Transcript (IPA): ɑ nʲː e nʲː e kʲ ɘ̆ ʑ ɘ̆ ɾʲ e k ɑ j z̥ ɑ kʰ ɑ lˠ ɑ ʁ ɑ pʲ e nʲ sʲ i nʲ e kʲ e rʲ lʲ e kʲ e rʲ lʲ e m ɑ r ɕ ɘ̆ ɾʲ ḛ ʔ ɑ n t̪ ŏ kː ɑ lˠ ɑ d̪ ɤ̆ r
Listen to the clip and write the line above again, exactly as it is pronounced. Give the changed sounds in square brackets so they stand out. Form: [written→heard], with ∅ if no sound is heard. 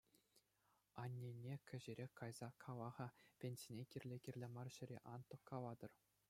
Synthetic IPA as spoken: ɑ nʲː e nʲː e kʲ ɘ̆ ʑ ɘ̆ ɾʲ e k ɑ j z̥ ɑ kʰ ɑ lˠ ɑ ʁ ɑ pʲ e nʲ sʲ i nʲ e kʲ [e→i] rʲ lʲ e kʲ [e→i] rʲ lʲ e m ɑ r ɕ ɘ̆ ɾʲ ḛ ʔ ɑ n t̪ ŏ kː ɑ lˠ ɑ d̪ ɤ̆ r